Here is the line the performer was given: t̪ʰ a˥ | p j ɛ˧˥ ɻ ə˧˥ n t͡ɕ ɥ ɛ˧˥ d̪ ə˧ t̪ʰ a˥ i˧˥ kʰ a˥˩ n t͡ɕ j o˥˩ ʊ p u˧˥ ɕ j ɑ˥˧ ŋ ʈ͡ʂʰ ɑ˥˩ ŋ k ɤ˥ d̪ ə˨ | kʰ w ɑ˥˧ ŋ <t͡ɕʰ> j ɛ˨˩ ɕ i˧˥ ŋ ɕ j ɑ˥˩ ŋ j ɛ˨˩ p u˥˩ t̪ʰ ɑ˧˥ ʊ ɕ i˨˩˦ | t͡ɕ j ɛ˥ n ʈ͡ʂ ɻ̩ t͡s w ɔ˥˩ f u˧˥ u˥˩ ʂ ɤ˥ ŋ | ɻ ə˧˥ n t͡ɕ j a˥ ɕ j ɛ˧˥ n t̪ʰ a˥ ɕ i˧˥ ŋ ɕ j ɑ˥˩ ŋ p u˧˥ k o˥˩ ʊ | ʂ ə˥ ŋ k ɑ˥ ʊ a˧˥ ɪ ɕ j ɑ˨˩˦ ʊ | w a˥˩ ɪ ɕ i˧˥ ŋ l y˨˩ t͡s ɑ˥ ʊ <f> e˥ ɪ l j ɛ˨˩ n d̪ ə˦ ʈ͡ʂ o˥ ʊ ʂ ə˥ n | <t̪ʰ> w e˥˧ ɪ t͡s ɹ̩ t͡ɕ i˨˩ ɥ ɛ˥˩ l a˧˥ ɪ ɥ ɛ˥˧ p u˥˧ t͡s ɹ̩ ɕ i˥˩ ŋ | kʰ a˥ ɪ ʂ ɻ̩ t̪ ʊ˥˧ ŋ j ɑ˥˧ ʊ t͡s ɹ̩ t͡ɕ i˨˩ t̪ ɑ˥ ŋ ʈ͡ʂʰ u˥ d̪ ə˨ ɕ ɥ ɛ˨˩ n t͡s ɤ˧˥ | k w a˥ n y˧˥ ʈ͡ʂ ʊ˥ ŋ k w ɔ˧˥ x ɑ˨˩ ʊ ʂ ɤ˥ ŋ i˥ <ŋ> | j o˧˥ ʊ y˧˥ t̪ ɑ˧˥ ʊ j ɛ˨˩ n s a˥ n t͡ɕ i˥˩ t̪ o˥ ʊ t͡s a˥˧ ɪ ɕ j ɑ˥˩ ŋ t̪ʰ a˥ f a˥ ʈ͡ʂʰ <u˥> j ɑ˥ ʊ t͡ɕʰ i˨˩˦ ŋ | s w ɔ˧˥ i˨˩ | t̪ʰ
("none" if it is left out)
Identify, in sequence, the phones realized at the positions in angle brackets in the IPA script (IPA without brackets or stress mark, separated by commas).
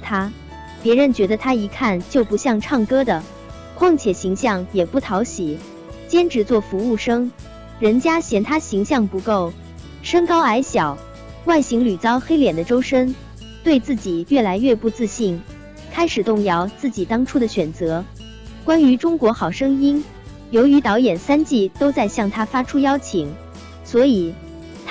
t͡ɕʰ, x, t̪, n, u˥